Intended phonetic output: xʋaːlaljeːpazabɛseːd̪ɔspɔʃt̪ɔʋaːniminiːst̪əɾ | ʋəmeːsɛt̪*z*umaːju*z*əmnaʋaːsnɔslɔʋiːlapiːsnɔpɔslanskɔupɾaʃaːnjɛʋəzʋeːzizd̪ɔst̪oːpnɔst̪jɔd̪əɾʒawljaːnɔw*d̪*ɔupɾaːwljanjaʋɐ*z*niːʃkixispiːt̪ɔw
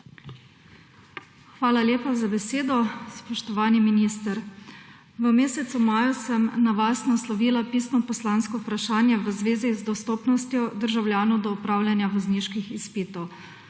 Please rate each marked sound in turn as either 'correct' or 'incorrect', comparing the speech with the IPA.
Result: incorrect, incorrect, correct, correct

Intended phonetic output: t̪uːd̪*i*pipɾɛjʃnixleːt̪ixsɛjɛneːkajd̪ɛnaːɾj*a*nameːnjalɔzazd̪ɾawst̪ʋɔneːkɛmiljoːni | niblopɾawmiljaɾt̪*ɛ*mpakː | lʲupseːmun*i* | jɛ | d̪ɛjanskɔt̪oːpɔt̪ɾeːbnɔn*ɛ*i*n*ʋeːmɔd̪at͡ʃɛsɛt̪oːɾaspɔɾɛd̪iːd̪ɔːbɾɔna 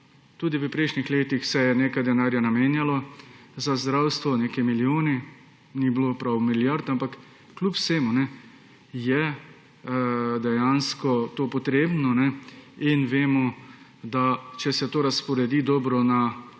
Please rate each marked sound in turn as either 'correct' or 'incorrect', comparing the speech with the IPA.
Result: correct, correct, incorrect, incorrect, correct, correct

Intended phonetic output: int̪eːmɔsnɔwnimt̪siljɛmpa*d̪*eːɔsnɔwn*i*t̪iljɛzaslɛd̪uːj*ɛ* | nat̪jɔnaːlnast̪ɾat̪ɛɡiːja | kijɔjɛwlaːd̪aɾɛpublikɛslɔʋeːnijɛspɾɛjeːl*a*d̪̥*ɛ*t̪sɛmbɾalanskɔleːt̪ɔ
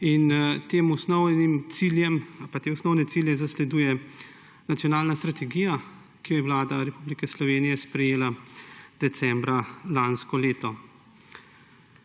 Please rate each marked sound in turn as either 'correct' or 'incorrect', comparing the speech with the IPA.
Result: incorrect, incorrect, correct, correct, correct

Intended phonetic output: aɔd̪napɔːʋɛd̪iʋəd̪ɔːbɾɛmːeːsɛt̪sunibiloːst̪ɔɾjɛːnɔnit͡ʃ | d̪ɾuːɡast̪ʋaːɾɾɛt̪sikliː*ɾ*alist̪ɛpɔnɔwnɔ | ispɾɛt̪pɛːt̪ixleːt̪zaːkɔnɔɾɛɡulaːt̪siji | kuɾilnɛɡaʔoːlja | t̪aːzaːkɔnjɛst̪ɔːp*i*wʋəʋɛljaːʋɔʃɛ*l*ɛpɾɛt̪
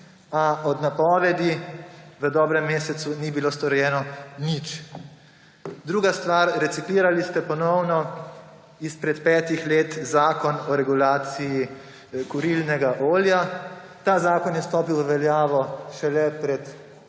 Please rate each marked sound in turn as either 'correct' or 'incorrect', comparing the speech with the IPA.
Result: correct, correct, correct

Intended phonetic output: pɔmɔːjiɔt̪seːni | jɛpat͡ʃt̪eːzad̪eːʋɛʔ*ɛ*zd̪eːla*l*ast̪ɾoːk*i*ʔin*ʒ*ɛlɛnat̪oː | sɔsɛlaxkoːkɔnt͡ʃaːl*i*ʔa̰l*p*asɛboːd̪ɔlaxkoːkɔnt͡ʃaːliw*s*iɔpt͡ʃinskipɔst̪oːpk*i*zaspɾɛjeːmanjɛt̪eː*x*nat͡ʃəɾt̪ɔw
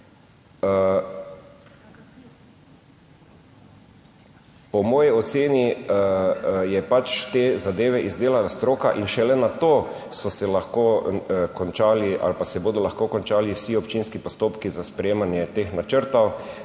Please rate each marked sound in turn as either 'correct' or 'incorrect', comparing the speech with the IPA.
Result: incorrect, correct, incorrect, incorrect, correct, correct, correct, correct, correct

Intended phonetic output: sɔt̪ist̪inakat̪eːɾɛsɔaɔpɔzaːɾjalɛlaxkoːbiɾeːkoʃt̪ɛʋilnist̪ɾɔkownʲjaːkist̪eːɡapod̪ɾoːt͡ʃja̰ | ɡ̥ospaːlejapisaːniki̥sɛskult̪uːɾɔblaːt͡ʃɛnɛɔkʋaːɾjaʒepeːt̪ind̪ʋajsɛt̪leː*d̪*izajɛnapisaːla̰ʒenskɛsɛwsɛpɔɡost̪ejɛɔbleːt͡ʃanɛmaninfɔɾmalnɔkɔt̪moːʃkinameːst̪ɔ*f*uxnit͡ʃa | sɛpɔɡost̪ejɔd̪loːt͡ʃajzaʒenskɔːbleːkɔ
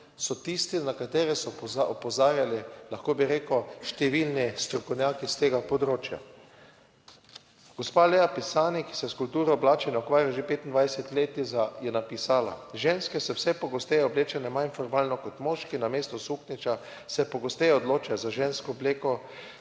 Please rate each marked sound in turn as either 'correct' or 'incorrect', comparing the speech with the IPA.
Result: incorrect, incorrect

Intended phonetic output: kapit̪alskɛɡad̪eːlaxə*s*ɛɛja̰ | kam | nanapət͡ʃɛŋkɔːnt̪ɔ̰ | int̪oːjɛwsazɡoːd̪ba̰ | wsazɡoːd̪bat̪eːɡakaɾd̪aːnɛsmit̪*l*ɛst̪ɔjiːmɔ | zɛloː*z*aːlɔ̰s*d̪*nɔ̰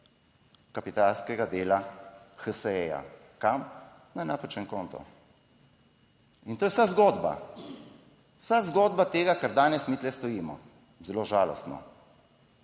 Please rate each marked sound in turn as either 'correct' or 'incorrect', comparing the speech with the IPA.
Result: correct, correct, incorrect, incorrect

